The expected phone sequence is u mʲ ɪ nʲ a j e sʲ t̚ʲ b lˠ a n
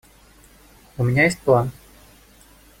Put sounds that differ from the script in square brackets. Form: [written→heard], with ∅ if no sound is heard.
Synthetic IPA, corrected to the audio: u mʲ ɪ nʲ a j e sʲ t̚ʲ [b→p] lˠ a n

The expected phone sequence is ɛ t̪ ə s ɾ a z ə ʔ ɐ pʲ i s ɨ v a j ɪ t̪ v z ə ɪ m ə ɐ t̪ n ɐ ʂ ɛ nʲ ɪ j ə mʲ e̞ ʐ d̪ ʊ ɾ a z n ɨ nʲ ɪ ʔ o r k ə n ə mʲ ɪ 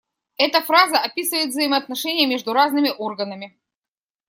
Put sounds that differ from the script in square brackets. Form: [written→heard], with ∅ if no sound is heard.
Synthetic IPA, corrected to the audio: ɛ t̪ ə [s→f] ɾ a z ə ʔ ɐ pʲ i s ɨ v [a→ə] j ɪ t̪ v z ə ɪ m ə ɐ t̪ n ɐ ʂ ɛ nʲ ɪ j ə mʲ e̞ ʐ d̪ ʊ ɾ a z n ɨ [nʲ→mʲ] ɪ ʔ o r [k→ɡ] ə n ə mʲ ɪ

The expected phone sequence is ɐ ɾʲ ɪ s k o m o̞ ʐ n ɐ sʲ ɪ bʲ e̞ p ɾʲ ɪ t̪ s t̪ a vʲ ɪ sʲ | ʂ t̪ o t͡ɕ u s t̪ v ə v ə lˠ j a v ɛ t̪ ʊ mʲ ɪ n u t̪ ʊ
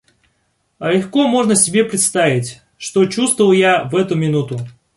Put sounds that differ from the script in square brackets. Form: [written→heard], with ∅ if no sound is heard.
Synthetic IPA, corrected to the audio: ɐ [ɾʲ→lʲ] ɪ [s→x] k o m o̞ ʐ n [ɐ→ə] sʲ ɪ bʲ e̞ p ɾʲ ɪ t̪ s t̪ a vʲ ɪ [sʲ→tʲ] | ʂ t̪ o t͡ɕ u s t̪ v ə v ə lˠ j a v ɛ t̪ ʊ mʲ ɪ n u t̪ ʊ

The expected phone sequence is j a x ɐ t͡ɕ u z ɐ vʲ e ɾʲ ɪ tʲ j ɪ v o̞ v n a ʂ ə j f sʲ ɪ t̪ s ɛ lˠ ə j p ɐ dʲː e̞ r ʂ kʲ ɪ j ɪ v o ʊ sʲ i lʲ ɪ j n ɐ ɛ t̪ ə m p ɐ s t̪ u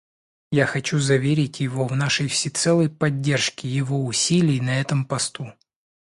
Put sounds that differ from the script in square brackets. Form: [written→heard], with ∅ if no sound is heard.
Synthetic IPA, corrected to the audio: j a x ɐ t͡ɕ u z ɐ vʲ e ɾʲ ɪ tʲ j ɪ v o̞ v n a ʂ ə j f sʲ ɪ t̪ s ɛ lˠ ə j p ɐ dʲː e̞ r ʂ kʲ ɪ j ɪ v o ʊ sʲ i lʲ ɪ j n ɐ ɛ t̪ ə m p ɐ s t̪ u

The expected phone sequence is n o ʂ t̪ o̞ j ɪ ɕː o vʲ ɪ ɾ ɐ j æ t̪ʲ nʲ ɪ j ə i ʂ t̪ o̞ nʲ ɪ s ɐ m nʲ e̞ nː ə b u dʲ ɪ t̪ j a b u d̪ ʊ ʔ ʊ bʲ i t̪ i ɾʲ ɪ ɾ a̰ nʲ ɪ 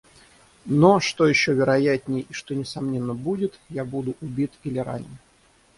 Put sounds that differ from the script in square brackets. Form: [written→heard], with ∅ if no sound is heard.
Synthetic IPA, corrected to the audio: n o ʂ t̪ o̞ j ɪ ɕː o vʲ ɪ ɾ ɐ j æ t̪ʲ nʲ ɪ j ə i ʂ t̪ o̞ nʲ ɪ s ɐ m nʲ e̞ nː ə b u dʲ ɪ t̪ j a b u d̪ ʊ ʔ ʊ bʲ i t̪ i [ɾʲ→lʲ] ɪ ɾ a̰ nʲ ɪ

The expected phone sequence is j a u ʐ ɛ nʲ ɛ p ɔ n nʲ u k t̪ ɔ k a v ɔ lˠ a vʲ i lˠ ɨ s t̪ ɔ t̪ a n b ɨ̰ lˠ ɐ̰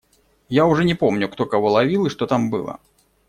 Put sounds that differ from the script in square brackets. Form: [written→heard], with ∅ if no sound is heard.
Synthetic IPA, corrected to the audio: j a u ʐ ɛ nʲ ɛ p ɔ [n→m] nʲ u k t̪ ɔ k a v ɔ lˠ a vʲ i lˠ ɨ [s→ʂ] t̪ ɔ t̪ a [n→m] b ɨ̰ lˠ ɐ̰

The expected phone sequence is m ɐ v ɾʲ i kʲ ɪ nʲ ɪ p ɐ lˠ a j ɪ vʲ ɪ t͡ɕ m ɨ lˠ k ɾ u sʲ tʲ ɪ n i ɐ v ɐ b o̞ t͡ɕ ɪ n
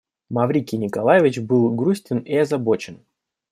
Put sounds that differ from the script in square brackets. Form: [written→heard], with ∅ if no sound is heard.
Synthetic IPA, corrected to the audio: m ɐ v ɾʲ i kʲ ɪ nʲ ɪ [p→k] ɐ lˠ a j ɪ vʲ ɪ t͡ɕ [m→b] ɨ lˠ [k→ɡ] ɾ u sʲ tʲ ɪ n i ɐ [v→z] ɐ b o̞ t͡ɕ ɪ n

